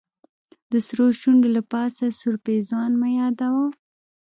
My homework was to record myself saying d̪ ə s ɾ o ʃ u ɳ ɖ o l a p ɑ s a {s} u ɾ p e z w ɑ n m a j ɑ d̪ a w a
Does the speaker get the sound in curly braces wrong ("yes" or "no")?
no